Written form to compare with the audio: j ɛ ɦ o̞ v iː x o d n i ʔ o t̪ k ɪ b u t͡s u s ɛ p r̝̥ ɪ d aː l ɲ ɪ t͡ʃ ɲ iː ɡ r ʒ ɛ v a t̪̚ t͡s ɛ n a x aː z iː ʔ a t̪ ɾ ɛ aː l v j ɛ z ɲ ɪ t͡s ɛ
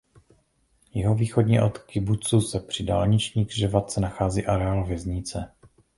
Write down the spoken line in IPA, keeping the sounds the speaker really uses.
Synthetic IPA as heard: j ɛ ɦ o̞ v iː x o d ɲ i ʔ o t̪ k ɪ b u t͡s u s ɛ p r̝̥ ɪ d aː l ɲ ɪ t͡ʃ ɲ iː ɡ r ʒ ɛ v a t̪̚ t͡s ɛ n a x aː z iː ʔ a ɾ ɛ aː l v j ɛ z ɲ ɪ t͡s ɛ